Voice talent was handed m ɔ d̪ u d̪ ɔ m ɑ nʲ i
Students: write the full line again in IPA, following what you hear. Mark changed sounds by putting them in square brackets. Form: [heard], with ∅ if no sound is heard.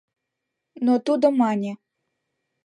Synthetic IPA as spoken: [n] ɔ [t̪] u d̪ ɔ m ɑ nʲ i